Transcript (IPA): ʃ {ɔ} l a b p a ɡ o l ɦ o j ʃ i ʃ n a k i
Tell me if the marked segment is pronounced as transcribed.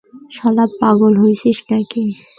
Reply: yes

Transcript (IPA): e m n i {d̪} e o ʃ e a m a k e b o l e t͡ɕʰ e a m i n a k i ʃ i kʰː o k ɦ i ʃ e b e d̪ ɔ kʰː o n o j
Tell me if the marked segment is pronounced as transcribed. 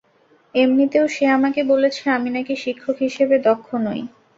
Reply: no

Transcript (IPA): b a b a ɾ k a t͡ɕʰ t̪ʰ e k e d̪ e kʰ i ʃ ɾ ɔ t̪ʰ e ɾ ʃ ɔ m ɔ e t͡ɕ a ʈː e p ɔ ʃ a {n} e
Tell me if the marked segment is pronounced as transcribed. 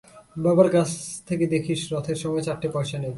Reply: yes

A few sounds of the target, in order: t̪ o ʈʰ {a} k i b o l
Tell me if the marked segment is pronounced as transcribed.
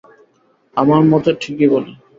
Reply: no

